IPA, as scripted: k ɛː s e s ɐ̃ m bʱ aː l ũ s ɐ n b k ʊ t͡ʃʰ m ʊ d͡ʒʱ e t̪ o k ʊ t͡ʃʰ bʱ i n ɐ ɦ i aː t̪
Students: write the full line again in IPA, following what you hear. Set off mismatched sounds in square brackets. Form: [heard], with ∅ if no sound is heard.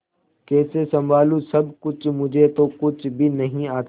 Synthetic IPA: k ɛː s e s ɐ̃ m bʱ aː l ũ s ɐ [∅] b k ʊ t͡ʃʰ m ʊ d͡ʒʱ e t̪ o k ʊ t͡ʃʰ bʱ i n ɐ ɦ [ĩ] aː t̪

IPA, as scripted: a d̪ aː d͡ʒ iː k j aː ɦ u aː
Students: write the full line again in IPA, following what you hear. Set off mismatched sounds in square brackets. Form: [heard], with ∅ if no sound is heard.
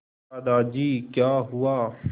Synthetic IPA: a d̪ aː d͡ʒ iː k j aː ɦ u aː

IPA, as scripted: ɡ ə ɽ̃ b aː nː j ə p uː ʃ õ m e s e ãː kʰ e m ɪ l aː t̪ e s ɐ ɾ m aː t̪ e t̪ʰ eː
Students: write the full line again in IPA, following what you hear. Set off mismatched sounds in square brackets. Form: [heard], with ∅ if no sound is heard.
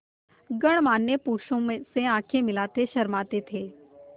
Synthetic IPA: ɡ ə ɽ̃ [m] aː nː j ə p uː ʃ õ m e s e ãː kʰ e m ɪ l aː t̪ e [ʃ] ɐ ɾ m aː t̪ e t̪ʰ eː

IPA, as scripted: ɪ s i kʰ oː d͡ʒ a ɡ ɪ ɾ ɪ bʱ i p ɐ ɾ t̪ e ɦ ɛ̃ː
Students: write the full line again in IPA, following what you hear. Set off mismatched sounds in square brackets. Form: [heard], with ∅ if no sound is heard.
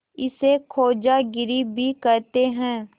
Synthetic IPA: ɪ s [e] kʰ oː d͡ʒ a ɡ ɪ ɾ [i] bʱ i [k] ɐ ɾ t̪ e ɦ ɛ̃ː

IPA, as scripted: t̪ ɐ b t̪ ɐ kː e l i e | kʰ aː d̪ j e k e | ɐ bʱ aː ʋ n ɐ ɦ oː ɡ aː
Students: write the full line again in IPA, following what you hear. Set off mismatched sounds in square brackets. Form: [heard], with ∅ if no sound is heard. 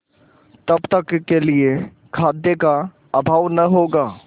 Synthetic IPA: t̪ ɐ b t̪ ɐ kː e l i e | kʰ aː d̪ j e k [a] | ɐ bʱ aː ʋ n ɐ ɦ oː ɡ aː

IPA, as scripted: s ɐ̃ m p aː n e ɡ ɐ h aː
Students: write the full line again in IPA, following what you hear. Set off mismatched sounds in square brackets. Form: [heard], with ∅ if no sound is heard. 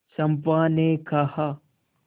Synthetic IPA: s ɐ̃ m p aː n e [k] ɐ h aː

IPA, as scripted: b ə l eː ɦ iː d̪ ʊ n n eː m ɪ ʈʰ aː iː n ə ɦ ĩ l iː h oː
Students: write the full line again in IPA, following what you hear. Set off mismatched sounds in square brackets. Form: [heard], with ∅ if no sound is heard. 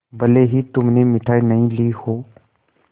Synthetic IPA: b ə l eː ɦ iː [t̪] ʊ [m] n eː m ɪ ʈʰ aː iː n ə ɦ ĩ l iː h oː

